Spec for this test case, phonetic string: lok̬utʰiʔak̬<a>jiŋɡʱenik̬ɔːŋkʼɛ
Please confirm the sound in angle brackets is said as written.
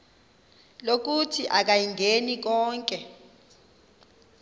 yes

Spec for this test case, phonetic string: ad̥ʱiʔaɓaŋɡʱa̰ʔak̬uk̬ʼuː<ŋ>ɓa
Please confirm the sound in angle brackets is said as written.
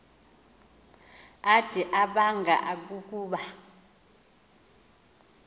no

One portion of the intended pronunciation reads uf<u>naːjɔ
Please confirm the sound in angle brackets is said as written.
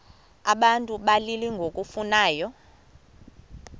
yes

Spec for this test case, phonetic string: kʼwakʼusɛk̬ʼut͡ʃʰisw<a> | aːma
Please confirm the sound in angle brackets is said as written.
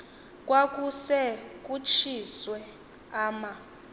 no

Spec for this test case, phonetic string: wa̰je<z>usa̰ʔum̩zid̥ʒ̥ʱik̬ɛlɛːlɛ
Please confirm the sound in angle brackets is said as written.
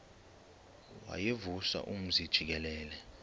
no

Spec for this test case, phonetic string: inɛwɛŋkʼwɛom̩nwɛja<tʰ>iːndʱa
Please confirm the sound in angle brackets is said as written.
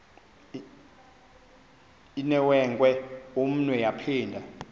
no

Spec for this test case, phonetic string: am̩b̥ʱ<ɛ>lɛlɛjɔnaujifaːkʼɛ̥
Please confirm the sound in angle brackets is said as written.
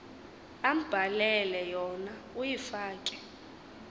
no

